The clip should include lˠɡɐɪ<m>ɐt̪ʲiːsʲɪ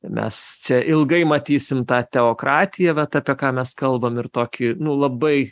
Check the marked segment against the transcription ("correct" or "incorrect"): correct